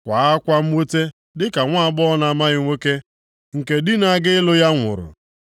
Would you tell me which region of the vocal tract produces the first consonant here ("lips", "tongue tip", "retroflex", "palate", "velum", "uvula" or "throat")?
velum